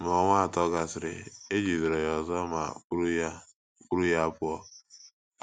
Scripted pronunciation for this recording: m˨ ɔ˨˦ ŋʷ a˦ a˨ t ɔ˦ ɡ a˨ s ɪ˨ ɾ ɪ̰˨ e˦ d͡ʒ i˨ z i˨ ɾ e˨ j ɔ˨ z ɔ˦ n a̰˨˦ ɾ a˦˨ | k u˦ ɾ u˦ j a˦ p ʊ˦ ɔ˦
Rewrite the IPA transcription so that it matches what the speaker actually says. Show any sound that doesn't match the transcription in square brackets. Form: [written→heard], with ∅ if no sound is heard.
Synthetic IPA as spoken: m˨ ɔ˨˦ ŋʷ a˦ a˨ t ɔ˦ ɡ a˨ s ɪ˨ ɾ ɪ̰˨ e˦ d͡ʒ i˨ z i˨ ɾ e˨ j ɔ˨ z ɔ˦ [n→m] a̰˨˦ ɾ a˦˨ | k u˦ ɾ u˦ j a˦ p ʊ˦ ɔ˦